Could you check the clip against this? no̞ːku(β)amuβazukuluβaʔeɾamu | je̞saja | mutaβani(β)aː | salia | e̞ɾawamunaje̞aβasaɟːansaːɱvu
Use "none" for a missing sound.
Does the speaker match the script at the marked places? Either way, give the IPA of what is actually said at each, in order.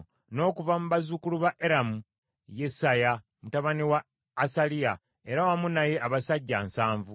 v, w

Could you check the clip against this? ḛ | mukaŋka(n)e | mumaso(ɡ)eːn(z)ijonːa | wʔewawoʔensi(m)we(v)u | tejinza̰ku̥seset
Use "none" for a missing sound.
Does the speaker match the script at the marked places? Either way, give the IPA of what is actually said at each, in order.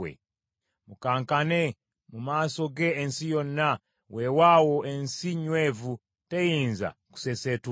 n, ɡ, s, ɲ, v

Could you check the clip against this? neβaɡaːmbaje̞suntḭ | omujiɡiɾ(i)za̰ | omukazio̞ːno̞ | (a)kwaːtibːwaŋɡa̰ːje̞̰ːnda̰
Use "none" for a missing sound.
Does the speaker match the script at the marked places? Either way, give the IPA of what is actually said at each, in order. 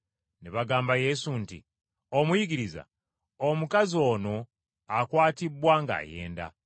i, a

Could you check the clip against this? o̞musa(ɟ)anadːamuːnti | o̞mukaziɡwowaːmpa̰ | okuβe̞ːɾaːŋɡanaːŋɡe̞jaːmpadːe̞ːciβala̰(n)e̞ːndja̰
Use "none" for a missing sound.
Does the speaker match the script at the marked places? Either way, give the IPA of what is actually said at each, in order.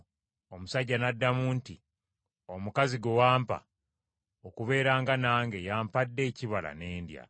ɟː, n

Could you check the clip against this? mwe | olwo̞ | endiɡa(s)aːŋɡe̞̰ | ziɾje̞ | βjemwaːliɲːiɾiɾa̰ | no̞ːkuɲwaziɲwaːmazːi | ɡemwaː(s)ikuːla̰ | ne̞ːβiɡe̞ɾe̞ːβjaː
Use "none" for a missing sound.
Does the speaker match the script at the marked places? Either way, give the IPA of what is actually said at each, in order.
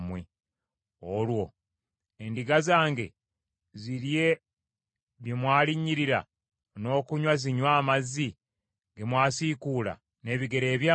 z, s

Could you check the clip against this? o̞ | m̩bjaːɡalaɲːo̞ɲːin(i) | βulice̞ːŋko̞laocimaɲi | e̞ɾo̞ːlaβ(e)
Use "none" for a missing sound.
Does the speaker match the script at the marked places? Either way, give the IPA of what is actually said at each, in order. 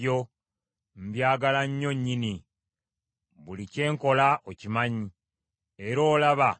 i, a

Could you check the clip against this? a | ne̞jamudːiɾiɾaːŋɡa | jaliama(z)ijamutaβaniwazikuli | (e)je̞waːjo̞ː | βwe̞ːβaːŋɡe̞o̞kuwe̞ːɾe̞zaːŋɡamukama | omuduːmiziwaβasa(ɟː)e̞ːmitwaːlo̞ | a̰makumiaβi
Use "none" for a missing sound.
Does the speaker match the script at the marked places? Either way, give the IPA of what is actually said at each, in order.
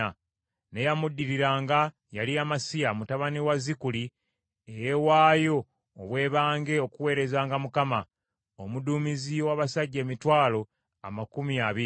s, e, ɟː

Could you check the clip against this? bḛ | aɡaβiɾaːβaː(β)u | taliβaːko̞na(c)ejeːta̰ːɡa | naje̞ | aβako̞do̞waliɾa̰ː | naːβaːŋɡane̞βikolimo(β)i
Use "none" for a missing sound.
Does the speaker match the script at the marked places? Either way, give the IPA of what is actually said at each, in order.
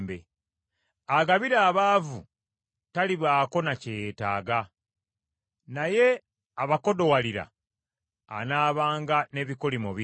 v, c, β

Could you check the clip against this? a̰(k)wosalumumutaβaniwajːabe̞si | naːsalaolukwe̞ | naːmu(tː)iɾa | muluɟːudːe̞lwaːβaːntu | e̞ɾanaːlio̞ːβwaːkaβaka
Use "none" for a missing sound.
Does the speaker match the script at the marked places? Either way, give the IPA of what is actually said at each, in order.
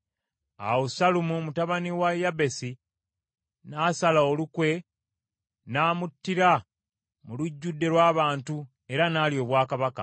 none, tː

